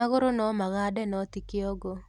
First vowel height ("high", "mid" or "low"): low